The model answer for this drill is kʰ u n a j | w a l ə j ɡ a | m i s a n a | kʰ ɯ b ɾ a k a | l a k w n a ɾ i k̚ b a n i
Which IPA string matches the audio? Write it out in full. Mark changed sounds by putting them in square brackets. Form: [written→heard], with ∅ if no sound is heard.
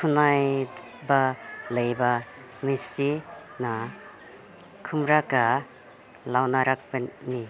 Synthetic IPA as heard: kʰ u n a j | [w→b] a l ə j [ɡ→b] a | m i s [a→i] n a | kʰ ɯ [b→m] ɾ a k a | l a [k→∅] w n a ɾ [i→a] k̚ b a n i